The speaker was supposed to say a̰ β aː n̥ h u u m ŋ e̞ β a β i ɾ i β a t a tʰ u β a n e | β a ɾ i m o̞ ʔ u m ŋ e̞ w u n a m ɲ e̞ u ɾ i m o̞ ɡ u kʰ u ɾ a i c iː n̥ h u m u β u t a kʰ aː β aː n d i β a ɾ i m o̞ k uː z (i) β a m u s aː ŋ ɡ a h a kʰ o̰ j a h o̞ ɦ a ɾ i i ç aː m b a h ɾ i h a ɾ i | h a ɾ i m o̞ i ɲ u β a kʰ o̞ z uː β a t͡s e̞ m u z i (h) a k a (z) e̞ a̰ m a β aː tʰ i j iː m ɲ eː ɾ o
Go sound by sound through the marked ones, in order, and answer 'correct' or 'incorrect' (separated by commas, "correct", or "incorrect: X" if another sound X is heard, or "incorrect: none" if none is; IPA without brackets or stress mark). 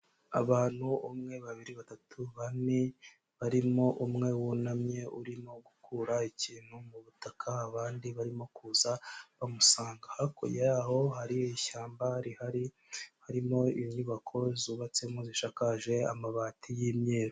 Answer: incorrect: a, incorrect: ʃ, incorrect: ʒ